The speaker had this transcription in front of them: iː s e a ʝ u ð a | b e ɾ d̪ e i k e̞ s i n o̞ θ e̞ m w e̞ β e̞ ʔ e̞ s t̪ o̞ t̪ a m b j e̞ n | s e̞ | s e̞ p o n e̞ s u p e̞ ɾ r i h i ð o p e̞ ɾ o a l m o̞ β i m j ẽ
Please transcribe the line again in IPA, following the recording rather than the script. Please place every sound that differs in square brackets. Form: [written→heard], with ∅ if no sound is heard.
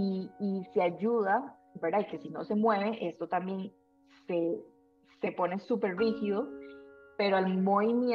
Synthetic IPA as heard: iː s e a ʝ u ð a | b e ɾ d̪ [e→a] i k e̞ s i n o̞ [θ→s] e̞ m w e̞ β e̞ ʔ e̞ s t̪ o̞ t̪ a m b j e̞ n | s e̞ | s e̞ p o n e̞ s u p e̞ ɾ r i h i ð o p e̞ ɾ o a l m o̞ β i m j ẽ